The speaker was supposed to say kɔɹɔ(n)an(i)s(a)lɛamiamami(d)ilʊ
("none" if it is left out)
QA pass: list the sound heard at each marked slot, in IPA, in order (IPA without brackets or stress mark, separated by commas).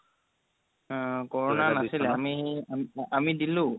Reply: n, a, i, d